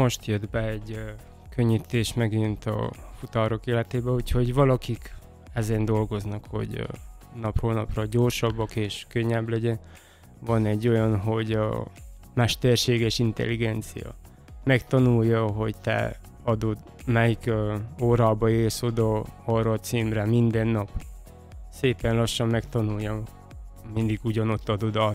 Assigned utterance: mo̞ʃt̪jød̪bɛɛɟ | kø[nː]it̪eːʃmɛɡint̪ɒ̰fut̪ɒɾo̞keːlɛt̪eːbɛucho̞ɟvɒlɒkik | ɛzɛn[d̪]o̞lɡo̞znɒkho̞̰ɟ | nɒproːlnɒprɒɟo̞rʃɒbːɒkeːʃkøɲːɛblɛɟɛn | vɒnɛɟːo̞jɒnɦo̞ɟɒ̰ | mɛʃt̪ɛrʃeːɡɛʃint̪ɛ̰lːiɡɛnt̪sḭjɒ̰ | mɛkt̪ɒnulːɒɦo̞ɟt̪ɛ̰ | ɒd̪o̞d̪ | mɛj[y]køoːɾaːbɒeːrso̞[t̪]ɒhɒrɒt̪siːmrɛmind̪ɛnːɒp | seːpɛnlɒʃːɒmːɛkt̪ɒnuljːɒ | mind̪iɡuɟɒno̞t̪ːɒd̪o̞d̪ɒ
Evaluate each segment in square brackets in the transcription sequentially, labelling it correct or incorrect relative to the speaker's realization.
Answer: incorrect: ɲː, correct, incorrect: i, incorrect: d̪

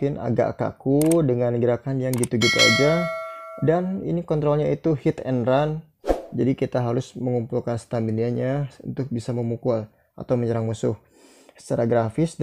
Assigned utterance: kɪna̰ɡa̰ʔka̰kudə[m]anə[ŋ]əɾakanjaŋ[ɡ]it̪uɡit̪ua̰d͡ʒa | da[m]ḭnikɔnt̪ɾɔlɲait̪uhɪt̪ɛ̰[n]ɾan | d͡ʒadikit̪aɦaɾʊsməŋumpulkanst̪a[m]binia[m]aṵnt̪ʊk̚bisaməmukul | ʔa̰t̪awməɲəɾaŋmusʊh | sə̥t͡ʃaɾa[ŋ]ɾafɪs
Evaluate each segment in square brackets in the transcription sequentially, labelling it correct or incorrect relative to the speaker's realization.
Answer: incorrect: ŋ, incorrect: ɡ, correct, incorrect: n, correct, correct, incorrect: ɲ, incorrect: ɡ

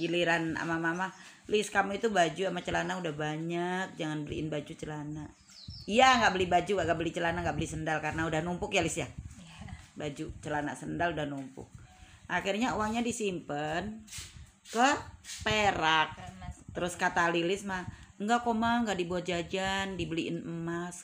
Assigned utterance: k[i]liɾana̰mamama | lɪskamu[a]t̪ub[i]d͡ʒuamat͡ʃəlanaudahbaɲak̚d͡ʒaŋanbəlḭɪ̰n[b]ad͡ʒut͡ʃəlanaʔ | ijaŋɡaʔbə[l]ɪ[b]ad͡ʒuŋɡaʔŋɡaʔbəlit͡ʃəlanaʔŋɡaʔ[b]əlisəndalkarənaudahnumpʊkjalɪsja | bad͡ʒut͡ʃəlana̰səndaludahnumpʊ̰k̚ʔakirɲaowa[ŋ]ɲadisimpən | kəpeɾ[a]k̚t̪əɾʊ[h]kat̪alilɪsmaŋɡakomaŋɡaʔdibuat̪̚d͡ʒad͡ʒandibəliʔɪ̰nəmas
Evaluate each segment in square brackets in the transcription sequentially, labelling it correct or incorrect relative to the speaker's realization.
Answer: correct, incorrect: i, incorrect: a, correct, correct, correct, correct, correct, correct, incorrect: s

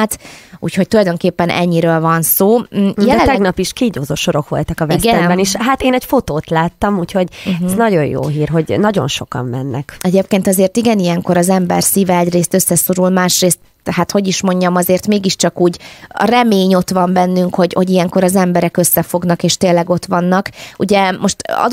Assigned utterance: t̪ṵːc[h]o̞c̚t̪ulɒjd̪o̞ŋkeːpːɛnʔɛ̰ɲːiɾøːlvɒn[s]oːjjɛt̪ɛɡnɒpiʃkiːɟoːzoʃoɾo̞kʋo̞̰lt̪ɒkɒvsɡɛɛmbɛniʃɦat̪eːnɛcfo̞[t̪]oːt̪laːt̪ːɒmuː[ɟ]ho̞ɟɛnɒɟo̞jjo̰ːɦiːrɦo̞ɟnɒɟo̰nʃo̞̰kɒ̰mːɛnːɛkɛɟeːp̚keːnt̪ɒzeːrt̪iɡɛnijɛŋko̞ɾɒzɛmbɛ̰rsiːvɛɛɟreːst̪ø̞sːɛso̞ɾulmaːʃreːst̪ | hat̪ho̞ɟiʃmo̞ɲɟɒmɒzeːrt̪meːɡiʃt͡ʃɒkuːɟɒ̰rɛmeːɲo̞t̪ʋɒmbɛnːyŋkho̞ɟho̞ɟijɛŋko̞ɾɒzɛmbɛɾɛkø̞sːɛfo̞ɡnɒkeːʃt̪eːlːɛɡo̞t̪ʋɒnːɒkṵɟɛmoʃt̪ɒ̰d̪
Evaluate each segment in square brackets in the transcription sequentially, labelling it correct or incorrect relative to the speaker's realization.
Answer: correct, correct, correct, incorrect: c

